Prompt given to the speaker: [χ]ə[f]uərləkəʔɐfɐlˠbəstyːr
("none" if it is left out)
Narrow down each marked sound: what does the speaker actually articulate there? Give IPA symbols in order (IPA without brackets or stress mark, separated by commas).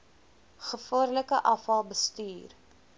χ, f